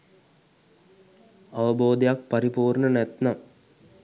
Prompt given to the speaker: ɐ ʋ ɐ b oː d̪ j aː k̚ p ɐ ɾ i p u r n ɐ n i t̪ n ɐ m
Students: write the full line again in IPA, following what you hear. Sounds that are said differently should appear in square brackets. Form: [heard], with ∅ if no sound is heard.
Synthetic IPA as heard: ɐ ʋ ɐ b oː d̪ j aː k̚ p ɐ ɾ i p [uː] r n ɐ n [e] t̪ n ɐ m